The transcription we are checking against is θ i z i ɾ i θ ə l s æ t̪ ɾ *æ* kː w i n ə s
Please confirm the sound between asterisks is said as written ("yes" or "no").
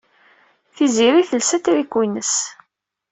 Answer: no